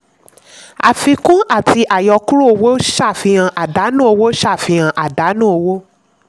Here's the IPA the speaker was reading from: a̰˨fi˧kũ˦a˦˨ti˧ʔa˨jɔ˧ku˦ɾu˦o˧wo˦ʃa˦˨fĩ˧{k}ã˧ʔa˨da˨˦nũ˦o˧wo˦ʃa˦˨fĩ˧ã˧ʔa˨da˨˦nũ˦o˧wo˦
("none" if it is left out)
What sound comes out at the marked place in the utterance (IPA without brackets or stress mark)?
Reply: none